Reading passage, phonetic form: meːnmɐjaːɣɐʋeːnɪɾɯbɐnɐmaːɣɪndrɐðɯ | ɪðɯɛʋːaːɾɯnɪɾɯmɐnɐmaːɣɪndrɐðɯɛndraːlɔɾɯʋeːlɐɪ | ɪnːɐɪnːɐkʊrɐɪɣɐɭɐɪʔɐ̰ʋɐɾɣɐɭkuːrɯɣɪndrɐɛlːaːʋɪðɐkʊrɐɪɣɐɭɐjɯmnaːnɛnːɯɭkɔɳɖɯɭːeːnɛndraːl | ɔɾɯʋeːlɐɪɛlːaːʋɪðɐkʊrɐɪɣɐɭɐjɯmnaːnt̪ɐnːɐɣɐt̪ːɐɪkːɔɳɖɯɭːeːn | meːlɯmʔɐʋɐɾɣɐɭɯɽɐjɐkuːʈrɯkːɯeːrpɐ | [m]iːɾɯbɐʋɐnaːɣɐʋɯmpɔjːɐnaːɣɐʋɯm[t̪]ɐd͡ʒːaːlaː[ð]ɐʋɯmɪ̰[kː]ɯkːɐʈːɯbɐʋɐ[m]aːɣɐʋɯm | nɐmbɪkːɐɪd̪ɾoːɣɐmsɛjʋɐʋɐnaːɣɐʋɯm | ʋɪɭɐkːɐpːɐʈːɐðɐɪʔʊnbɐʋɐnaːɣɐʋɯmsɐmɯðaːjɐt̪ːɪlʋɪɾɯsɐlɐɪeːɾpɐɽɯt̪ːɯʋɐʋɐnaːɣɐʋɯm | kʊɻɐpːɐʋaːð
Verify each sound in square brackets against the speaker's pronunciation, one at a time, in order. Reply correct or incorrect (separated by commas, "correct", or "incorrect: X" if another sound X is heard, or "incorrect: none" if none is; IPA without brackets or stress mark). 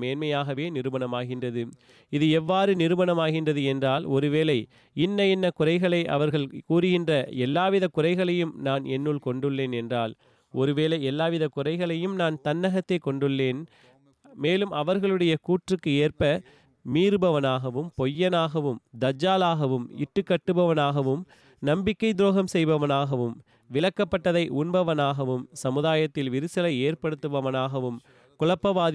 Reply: correct, incorrect: d̪, incorrect: ɣ, incorrect: ʈː, incorrect: n